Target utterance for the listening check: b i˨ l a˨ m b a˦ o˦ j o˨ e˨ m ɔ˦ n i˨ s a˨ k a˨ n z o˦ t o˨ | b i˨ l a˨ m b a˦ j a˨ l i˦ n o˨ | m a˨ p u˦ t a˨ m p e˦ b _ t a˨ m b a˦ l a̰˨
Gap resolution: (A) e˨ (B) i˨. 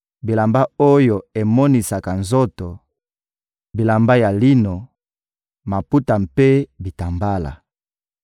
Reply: B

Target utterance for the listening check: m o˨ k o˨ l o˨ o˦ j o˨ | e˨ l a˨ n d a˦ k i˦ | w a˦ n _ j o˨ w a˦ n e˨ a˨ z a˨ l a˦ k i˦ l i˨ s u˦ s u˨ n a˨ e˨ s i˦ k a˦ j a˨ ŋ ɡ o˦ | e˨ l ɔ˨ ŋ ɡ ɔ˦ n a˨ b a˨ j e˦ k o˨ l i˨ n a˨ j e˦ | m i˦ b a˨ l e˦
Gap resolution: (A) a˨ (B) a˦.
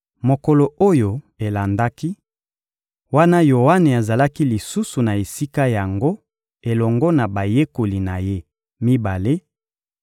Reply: B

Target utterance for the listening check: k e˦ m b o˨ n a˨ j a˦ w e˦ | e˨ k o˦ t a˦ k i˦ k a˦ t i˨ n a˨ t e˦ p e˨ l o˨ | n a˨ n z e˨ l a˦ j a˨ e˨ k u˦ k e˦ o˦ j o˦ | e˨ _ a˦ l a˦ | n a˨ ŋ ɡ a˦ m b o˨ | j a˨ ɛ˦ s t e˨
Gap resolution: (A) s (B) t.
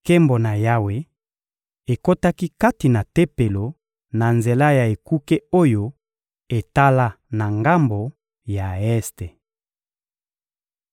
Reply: B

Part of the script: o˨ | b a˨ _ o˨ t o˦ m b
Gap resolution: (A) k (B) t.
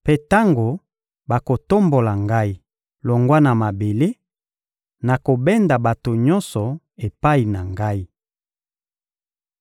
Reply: A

